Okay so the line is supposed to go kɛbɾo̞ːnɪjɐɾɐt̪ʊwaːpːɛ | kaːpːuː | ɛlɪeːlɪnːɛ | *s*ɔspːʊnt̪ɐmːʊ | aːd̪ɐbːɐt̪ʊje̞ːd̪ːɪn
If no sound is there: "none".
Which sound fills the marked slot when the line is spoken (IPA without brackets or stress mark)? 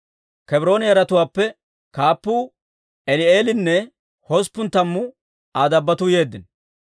h